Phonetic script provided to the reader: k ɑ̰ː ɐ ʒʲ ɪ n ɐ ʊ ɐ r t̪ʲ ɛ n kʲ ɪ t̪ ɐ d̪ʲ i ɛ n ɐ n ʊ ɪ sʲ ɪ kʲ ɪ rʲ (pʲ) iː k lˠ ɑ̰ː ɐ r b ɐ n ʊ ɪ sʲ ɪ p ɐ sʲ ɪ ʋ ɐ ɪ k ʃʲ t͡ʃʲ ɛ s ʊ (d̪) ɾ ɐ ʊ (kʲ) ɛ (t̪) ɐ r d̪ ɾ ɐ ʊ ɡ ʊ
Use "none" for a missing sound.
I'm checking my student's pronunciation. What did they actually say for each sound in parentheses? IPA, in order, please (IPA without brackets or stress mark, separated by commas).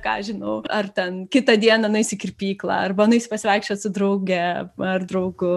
pʲ, d̪, ɡʲ, none